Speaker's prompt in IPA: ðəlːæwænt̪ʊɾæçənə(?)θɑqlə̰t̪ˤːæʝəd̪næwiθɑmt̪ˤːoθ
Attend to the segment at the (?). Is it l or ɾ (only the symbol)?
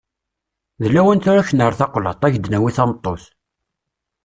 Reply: ɾ